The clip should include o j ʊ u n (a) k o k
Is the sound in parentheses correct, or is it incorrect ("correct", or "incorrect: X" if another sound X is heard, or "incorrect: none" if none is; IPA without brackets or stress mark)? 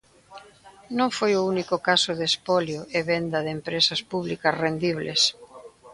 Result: incorrect: i